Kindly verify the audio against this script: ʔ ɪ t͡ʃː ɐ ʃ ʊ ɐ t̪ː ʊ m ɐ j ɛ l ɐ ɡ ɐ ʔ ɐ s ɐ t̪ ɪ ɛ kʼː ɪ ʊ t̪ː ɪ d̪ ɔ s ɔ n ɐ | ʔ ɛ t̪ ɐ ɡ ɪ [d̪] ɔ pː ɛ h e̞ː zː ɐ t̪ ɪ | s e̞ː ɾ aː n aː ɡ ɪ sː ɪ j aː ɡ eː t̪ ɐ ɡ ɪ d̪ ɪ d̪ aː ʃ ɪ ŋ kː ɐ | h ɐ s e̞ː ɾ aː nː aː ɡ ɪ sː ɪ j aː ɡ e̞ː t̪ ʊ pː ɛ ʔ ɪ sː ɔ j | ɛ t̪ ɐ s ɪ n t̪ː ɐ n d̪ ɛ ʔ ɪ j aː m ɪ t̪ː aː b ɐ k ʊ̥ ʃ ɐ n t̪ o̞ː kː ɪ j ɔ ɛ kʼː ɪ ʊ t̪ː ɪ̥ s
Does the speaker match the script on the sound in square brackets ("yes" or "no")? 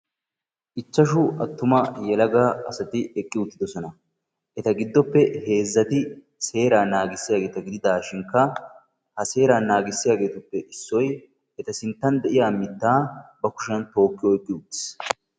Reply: no